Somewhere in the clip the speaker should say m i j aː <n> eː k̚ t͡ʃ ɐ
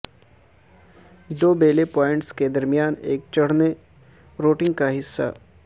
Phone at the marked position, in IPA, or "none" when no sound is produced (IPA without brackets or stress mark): n